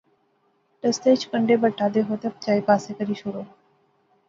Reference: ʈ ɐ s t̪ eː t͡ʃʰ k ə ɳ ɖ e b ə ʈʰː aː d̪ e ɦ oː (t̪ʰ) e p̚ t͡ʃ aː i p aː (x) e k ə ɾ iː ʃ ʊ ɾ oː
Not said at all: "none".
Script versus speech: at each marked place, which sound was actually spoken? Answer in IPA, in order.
t̪, s

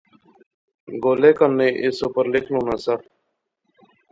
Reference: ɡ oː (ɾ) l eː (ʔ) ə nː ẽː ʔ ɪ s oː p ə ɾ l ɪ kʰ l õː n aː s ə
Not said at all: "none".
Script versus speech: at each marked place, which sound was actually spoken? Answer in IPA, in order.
none, k

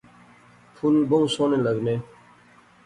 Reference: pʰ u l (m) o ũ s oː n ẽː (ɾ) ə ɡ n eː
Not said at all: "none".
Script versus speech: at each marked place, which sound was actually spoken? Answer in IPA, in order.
b, l

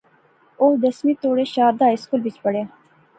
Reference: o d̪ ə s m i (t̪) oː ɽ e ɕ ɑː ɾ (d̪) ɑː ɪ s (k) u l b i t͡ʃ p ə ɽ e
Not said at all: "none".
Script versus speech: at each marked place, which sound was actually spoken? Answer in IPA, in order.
t̪, d̪, k

